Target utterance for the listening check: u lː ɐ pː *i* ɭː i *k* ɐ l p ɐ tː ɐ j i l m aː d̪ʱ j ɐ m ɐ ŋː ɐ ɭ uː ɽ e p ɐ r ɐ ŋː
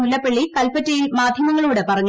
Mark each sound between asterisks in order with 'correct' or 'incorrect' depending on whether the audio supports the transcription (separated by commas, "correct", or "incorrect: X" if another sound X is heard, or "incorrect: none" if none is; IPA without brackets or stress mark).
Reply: incorrect: e, correct